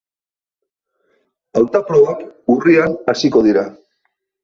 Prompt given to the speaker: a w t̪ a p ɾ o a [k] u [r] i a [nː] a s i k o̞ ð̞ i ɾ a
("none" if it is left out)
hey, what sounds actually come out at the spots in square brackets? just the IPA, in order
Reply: k, r, n

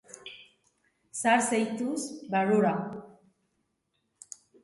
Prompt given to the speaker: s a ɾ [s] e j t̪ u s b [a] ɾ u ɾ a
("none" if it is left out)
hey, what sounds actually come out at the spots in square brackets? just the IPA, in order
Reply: s, a

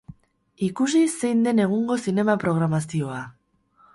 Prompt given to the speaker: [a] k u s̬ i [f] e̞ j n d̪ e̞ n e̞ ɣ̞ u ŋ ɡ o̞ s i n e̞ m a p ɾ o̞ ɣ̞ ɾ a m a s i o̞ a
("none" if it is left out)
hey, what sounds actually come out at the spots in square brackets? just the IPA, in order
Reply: i, s

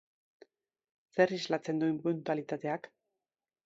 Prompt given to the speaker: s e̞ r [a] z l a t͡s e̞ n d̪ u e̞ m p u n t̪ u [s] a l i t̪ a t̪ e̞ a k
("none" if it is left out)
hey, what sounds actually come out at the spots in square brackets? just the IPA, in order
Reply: i, none

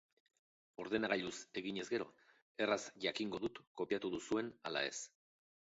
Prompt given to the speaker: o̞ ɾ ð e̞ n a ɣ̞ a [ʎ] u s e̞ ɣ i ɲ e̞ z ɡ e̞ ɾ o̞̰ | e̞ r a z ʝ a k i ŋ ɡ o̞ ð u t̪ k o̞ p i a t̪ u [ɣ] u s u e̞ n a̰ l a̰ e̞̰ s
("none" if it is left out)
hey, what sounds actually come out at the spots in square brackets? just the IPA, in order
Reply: ʎ, ð

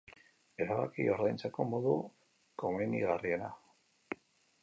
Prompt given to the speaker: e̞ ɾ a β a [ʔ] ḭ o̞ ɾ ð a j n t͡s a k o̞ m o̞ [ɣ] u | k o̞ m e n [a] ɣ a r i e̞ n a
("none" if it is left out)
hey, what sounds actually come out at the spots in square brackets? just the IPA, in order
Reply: k, ð, i

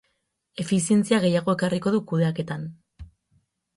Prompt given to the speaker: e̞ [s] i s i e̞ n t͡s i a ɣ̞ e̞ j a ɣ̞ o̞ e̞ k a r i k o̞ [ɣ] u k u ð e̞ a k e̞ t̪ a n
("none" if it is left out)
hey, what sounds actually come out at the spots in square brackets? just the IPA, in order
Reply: f, ð

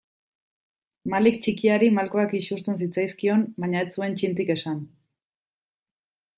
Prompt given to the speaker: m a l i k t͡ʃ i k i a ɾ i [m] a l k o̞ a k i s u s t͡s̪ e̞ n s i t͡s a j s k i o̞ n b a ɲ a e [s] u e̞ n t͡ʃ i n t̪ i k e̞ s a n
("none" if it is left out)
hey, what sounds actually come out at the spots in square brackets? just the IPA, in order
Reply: m, t͡s

